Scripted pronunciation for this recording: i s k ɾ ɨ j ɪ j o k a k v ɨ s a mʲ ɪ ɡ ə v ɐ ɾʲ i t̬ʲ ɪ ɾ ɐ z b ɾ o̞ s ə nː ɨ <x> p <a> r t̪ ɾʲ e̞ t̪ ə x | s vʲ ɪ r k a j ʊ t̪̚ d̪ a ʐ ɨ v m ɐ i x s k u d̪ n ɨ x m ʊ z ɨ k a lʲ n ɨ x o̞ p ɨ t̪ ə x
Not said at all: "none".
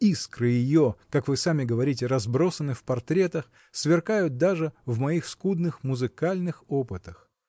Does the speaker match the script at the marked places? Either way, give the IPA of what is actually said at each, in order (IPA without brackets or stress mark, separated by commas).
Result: f, ɐ